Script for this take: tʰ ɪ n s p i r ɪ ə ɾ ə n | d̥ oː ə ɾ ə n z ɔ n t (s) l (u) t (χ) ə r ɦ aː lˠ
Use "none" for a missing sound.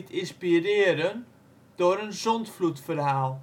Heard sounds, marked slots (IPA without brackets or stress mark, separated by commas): f, u, f